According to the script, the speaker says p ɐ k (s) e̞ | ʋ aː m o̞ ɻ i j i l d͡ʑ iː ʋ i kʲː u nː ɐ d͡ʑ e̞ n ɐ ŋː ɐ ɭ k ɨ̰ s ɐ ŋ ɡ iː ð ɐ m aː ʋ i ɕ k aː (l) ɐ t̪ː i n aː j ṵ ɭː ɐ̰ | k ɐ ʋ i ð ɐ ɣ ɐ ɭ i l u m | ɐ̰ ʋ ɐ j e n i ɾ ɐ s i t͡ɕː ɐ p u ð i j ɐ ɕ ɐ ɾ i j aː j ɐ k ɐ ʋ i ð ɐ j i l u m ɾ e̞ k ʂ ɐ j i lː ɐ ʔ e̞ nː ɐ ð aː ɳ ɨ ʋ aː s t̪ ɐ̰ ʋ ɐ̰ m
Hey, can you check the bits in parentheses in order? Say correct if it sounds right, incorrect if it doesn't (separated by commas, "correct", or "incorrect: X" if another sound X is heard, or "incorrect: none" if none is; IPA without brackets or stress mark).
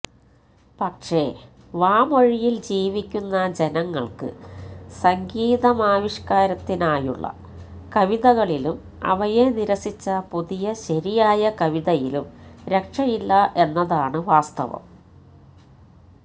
incorrect: ʂ, incorrect: ɾ